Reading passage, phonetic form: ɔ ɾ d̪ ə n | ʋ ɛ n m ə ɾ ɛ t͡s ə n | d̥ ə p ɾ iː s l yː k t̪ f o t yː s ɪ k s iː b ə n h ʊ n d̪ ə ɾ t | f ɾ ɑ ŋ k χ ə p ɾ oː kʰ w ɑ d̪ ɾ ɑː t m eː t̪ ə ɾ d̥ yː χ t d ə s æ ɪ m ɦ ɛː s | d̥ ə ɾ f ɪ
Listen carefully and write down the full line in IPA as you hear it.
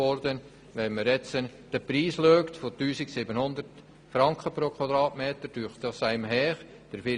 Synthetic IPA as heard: ɔ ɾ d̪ ə n | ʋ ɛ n m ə ɾ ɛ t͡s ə n | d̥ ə p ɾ iː s l øː k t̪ f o t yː s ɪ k s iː b ə n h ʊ n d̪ ə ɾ t | f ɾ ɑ ŋ k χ ə p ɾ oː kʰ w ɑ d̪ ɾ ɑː t m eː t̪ ə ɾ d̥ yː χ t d ɑ s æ ɪ m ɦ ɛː χ | d̥ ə ɾ f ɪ